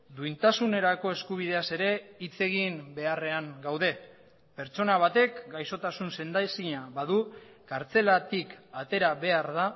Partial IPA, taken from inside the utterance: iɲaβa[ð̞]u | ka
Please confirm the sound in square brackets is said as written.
yes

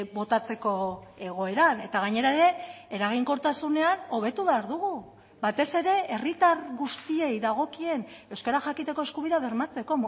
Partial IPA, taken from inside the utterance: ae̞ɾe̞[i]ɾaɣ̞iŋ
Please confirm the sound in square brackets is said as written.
no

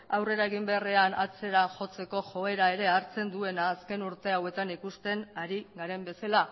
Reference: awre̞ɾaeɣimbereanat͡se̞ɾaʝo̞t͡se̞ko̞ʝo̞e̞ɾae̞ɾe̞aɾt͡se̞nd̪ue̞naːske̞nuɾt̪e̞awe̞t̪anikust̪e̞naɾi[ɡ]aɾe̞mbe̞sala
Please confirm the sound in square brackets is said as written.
yes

